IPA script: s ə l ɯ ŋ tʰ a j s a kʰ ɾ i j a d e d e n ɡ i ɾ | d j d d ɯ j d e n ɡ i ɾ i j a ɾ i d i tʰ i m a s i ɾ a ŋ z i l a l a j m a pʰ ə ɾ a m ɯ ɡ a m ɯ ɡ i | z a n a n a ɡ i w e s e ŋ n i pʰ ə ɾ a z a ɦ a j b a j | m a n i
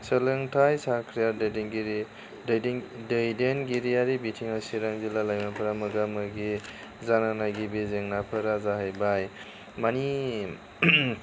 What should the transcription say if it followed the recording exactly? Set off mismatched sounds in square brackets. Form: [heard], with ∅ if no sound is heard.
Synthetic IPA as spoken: s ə l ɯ ŋ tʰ a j s a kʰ ɾ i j a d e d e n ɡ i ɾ | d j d d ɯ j d e n ɡ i ɾ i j a ɾ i [b] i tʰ i [ŋ] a s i ɾ a ŋ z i l a l a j m a pʰ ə ɾ a m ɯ ɡ a m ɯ ɡ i | z a n a n a ɡ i [b] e [z] e ŋ n [a] pʰ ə ɾ a z a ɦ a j b a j | m a n i

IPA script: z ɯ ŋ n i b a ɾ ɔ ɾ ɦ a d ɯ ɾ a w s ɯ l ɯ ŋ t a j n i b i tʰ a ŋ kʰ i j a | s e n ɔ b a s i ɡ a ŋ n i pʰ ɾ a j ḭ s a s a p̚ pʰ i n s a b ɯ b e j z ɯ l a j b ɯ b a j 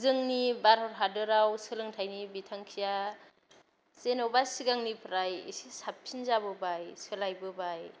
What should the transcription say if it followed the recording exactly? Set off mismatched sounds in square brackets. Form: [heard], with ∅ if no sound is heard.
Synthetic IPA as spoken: z ɯ ŋ n i b a ɾ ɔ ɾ ɦ a d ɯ ɾ a w s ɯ l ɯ ŋ [tʰ] a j n i b i tʰ a ŋ kʰ i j a | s e n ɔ b a s i ɡ a ŋ n i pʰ ɾ a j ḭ s [i] s a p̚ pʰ i n [z] a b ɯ b [a] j [s] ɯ l a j b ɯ b a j

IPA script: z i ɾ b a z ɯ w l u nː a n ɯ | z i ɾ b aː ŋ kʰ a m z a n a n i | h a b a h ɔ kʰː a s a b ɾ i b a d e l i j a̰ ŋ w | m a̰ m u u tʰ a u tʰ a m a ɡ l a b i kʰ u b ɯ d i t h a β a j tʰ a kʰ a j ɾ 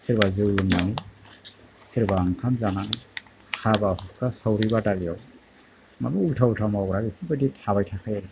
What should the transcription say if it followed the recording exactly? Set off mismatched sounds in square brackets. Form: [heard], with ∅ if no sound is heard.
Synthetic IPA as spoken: [s] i ɾ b a z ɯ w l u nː a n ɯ | [s] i ɾ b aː ŋ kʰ a m z a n a n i | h a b a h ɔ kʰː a s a [w] ɾ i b a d [a] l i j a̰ [∅] w | m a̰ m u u tʰ a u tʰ a m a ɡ [ɾ] a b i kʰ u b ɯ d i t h a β a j tʰ a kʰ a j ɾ

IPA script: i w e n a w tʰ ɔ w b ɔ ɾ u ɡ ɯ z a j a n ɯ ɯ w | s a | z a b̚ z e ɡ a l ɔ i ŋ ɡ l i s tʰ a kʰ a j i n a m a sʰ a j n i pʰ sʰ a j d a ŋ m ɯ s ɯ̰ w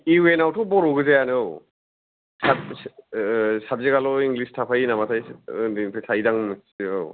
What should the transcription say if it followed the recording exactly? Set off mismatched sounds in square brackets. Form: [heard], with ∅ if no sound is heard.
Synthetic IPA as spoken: i w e n a w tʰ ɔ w b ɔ ɾ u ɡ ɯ z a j a n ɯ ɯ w | s a | [s] a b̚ z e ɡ a l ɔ i ŋ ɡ l i s tʰ a [pʰ] a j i n a m a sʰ a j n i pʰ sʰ a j d a ŋ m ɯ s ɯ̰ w

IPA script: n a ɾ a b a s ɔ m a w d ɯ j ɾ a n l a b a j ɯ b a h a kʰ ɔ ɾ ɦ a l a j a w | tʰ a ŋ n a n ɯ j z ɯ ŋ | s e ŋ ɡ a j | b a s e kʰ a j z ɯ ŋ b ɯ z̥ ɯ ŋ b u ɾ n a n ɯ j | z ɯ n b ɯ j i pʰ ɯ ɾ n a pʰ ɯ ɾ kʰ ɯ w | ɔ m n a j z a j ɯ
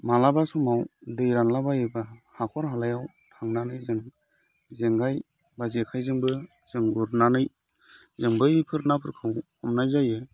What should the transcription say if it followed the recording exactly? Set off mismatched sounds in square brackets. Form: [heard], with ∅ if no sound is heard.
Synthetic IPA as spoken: [m] a [l] a b a s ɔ m a w d ɯ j ɾ a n l a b a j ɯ b a h a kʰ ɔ ɾ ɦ a l a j a w | tʰ a ŋ n a n ɯ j z ɯ ŋ | [z] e ŋ ɡ a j | b a [z] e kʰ a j z ɯ ŋ b ɯ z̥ ɯ ŋ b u ɾ n a n ɯ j | z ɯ [ŋ] b ɯ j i pʰ ɯ ɾ n a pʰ ɯ ɾ kʰ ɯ w | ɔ m n a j z a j ɯ

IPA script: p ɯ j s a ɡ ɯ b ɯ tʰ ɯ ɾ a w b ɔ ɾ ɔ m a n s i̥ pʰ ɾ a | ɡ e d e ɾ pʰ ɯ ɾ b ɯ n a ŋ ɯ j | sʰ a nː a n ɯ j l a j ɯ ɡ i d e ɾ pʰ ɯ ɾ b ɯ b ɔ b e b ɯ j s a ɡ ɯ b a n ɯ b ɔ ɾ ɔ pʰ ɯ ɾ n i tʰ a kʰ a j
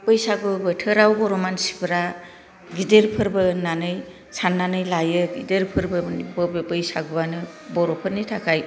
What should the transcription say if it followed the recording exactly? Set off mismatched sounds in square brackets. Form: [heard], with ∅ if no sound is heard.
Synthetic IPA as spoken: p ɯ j s a ɡ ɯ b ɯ tʰ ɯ ɾ a w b ɔ ɾ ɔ m a n s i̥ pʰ ɾ a | ɡ [i] d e ɾ pʰ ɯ ɾ b ɯ n a [n] ɯ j | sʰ a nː a n ɯ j l a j ɯ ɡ i d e ɾ pʰ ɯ ɾ b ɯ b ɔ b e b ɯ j s a ɡ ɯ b a n ɯ b ɔ ɾ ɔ pʰ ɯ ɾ n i tʰ a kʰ a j

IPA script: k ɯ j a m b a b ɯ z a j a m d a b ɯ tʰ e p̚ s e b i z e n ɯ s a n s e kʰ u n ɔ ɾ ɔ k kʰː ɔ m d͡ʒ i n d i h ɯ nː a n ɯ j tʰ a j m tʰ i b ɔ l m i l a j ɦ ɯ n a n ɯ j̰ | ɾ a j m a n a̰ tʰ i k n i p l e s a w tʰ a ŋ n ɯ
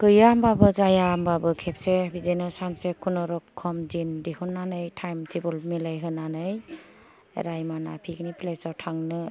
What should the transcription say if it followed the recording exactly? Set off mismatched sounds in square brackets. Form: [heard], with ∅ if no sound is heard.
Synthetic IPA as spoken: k ɯ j a m b a b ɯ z a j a m [b] a b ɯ [kʰ] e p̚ s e b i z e n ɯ s a n s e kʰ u n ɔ ɾ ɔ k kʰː ɔ m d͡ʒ i n d i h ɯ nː a n ɯ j tʰ a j m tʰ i b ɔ l m i l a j ɦ ɯ n a n ɯ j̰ | ɾ a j m a n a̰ [pʰ] i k n i p l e s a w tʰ a ŋ n ɯ

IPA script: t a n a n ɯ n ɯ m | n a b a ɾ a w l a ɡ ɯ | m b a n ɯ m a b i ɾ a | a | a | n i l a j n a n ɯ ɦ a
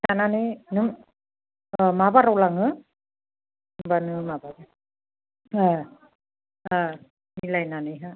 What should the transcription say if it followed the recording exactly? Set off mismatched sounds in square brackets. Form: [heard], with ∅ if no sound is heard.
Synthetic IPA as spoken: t a n a n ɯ n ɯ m | [m] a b a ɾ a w l a [ŋ] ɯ | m b a n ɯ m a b [a] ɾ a | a | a | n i l a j n a n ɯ ɦ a

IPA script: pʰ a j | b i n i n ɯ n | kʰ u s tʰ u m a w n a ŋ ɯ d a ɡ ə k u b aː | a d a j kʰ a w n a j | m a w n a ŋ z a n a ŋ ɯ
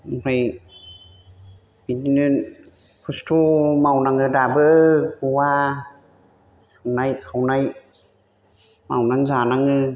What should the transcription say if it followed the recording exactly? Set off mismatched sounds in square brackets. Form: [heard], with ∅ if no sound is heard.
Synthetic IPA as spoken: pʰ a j | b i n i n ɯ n | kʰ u s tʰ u m a w n a ŋ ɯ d a [b] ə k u [w] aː | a [n] a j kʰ a w n a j | m a w n a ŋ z a n a ŋ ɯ

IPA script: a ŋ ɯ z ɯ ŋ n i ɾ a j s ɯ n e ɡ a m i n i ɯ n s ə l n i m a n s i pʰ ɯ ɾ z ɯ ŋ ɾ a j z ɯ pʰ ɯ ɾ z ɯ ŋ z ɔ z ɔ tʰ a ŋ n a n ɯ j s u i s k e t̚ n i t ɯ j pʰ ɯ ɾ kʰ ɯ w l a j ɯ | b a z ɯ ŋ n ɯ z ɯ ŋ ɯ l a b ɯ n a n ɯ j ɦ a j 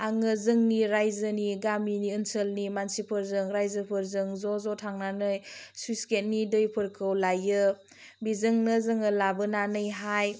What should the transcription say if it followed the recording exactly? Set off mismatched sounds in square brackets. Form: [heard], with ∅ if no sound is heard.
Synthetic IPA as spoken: a ŋ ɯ z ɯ ŋ n i ɾ a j [z] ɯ n [i] ɡ a m i n i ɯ n s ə l n i m a n s i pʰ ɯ ɾ z ɯ ŋ ɾ a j z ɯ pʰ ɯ ɾ z ɯ ŋ z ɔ z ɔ tʰ a ŋ n a n ɯ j s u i s k e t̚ n i [d] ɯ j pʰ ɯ ɾ kʰ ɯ w l a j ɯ | b [i] z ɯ ŋ n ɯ z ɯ ŋ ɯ l a b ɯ n a n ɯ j ɦ a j

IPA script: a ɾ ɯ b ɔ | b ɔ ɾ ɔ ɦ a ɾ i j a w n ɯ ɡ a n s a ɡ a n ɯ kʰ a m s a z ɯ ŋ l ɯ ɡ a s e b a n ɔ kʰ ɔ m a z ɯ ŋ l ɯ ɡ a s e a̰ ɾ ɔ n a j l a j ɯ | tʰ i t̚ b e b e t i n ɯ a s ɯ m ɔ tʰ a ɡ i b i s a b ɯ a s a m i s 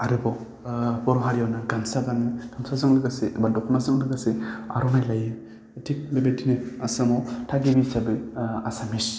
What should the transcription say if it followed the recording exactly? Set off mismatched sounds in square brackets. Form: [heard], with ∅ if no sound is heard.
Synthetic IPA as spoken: a ɾ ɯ b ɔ | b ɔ ɾ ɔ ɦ a ɾ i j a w n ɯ ɡ a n s a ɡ a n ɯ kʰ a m s a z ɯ ŋ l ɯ ɡ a s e b a [d] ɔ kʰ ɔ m a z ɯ ŋ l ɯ ɡ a s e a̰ ɾ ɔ n a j l a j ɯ | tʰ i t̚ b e b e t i n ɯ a s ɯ m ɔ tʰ a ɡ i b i s a b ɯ a s a m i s

